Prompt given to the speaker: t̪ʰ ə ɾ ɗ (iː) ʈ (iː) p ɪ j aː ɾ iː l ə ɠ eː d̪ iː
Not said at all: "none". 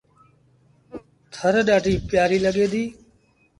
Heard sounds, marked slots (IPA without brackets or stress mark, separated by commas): aː, iː